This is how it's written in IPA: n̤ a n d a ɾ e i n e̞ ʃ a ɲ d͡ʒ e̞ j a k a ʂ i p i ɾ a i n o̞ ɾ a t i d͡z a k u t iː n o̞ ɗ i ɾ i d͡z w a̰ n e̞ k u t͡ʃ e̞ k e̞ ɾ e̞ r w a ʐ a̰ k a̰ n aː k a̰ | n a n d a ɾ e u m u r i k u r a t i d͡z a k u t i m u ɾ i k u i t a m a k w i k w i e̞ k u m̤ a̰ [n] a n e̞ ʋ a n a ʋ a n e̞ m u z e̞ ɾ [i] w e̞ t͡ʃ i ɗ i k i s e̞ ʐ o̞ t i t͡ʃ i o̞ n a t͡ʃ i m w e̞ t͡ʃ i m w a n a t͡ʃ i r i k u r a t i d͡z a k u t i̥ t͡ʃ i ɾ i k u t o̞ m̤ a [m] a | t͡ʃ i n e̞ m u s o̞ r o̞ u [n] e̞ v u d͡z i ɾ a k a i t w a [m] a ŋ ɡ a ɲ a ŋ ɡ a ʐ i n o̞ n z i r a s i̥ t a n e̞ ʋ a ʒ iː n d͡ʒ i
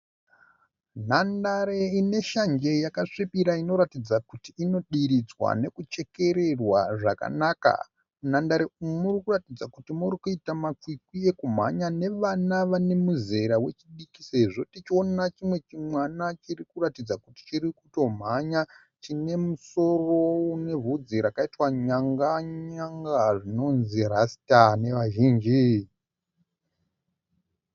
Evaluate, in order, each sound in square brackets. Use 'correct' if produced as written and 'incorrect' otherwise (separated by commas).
incorrect, incorrect, incorrect, correct, incorrect